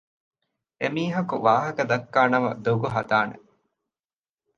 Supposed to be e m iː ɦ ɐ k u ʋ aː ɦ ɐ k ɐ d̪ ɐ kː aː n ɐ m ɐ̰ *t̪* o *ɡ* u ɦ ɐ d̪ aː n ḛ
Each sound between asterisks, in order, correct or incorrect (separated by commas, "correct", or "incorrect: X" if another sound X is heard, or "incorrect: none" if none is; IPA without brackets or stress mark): incorrect: d̪, correct